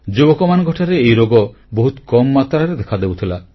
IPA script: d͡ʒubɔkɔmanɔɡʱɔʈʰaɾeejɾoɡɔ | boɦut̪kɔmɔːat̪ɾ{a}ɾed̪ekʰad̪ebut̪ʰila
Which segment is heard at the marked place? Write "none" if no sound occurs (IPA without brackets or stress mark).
a